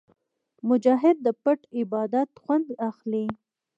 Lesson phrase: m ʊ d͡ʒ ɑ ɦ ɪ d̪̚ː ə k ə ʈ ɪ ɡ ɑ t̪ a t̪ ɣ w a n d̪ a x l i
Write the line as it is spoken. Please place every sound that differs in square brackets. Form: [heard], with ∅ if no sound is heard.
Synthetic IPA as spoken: m ʊ d͡ʒ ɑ ɦ ɪ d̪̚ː ə [p] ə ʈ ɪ [b] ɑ [d̪] a t̪ [x] w a n d̪ a x l i